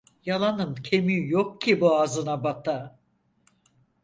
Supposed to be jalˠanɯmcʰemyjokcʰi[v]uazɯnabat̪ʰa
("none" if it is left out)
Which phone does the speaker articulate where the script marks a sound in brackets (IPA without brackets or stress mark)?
b